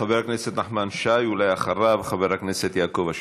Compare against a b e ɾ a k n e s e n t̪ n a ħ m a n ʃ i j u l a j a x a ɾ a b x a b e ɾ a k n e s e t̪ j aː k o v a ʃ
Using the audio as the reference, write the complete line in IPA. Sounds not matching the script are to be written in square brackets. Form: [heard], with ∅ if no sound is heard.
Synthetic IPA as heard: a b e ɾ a k n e s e [∅] t̪ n a ħ m a n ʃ [a] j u l a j a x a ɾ a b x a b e ɾ a k n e s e t̪ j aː k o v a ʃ